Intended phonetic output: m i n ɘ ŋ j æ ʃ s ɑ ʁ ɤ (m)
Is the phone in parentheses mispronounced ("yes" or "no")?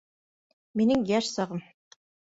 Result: no